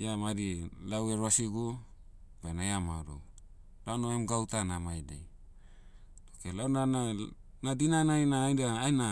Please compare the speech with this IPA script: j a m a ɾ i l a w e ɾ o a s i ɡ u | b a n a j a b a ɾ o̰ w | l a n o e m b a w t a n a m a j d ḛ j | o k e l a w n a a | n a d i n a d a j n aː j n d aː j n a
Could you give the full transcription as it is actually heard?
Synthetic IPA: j a m a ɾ i l a w e ɾ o a s i ɡ u | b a n a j a m a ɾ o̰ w | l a n o e m ɡ a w t a n a m a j d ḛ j | o k e l a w n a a | n a d i n a n a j n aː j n d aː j n a